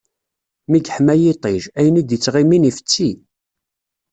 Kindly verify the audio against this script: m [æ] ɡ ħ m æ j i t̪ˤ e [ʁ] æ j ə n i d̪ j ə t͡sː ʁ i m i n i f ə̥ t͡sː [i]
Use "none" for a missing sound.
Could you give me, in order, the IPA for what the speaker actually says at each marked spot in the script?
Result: i, ʒ, i

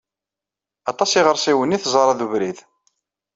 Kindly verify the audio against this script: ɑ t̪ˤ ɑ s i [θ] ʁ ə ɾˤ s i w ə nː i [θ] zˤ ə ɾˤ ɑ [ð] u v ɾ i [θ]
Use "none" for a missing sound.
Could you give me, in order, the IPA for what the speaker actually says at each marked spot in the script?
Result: none, θ, ð, ð

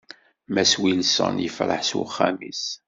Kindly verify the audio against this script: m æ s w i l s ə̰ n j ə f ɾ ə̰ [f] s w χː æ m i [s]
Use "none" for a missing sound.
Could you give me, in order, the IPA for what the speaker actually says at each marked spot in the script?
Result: ħ, s

